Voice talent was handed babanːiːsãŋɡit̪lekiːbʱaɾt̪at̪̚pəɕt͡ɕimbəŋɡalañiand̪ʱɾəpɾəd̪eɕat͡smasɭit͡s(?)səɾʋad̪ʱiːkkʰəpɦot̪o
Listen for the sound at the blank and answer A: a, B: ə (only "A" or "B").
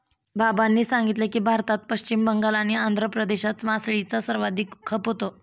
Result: A